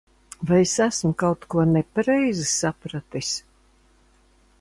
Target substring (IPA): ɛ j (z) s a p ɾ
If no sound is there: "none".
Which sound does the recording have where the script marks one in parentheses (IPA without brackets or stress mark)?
z